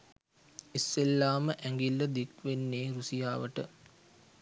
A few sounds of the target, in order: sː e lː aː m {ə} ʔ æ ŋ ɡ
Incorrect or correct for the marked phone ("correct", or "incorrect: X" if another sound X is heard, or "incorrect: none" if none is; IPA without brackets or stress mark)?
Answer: correct